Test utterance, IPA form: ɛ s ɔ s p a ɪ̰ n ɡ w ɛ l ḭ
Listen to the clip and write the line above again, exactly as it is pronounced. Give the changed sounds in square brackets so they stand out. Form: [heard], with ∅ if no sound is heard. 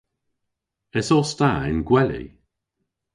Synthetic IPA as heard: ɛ s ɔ s [t] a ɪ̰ n ɡ w ɛ l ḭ